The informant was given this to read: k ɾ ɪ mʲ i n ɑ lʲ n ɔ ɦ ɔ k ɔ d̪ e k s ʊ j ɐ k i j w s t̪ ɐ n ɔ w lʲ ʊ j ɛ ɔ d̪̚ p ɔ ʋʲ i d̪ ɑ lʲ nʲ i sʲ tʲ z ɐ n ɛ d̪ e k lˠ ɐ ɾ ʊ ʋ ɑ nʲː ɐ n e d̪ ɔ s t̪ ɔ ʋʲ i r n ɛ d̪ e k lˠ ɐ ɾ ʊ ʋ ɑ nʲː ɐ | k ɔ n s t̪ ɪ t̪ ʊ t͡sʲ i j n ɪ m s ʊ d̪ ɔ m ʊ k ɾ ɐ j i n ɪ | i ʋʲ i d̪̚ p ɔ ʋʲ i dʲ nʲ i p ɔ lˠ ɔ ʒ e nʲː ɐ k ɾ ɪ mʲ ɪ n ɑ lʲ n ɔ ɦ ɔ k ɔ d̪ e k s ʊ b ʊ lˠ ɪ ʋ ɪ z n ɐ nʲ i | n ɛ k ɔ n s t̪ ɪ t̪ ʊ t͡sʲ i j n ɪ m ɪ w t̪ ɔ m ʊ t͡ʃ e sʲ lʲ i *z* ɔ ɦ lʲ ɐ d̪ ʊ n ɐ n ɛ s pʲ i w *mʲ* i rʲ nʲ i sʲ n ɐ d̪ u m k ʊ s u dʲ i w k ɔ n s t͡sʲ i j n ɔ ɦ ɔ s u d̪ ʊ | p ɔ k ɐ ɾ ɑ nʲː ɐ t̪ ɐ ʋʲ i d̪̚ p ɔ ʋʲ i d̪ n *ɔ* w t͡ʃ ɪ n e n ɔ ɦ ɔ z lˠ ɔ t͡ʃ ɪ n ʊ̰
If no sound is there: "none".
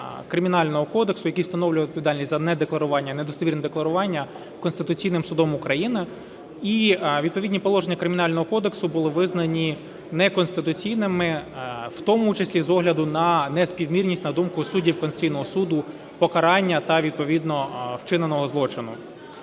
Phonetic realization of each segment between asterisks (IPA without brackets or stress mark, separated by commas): z, mʲ, ɔ